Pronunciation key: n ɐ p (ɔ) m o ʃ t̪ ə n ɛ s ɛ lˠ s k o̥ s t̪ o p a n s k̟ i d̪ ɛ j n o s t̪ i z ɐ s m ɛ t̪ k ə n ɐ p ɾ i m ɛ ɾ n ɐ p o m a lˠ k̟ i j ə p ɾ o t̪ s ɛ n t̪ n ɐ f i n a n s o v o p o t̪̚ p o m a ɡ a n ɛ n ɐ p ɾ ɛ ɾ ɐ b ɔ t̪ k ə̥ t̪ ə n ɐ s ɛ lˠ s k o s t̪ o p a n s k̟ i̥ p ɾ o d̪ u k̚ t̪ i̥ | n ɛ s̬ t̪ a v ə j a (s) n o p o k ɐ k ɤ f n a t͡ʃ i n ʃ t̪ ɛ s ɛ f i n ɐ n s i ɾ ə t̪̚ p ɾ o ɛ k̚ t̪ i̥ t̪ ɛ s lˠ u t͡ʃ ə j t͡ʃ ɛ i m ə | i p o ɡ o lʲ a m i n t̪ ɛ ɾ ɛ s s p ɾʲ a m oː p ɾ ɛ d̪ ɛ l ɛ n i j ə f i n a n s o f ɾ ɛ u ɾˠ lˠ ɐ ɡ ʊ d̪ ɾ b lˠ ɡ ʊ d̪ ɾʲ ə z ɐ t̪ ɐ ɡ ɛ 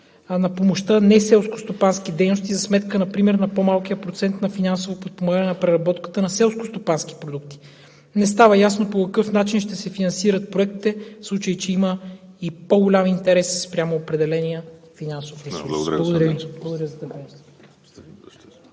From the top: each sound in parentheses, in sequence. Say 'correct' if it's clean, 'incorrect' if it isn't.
incorrect: o, correct

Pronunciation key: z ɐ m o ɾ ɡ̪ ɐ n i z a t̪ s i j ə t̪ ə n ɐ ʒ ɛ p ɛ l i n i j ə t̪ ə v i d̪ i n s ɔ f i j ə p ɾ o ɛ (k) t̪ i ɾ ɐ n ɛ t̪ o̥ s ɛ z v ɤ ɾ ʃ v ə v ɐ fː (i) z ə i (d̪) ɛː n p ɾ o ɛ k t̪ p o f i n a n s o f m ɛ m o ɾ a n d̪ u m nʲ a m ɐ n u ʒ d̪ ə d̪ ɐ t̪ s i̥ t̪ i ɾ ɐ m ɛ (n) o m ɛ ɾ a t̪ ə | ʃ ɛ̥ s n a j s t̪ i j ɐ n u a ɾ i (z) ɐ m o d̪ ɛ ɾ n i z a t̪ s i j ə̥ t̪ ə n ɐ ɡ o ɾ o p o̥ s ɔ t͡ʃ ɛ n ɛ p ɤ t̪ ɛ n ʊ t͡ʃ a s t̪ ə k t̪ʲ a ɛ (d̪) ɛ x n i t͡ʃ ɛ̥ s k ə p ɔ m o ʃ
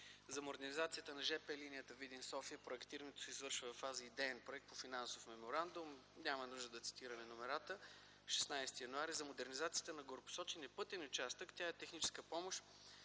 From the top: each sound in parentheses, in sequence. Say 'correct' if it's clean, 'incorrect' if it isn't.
correct, incorrect: a, correct, correct, correct, incorrect: t̪

